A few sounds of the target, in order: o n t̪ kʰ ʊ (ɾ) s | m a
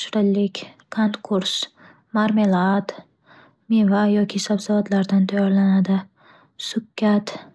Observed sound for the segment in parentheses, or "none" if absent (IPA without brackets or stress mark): ɾ